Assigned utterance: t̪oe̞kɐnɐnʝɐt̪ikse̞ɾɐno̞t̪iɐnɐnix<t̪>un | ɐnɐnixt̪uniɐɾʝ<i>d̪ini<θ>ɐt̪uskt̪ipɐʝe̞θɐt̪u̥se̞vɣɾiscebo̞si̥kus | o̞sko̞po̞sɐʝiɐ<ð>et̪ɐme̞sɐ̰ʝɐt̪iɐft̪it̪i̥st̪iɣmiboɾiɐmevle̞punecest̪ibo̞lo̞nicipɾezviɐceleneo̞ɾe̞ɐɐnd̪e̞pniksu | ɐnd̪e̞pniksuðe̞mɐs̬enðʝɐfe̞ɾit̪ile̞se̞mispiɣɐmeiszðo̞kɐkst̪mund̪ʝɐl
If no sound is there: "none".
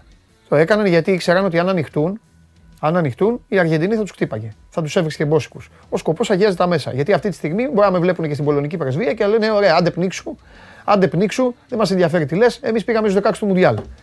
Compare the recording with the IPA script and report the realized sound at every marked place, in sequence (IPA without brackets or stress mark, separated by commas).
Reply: t̪, e, θ, z